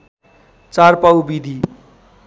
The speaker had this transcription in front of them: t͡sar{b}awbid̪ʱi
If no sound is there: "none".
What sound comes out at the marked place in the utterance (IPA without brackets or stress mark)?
p